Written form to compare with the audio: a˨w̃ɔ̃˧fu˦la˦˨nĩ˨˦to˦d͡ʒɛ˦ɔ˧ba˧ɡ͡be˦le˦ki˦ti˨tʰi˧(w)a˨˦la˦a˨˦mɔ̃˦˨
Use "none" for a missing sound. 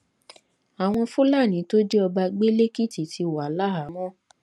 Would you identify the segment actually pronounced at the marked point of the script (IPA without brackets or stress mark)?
w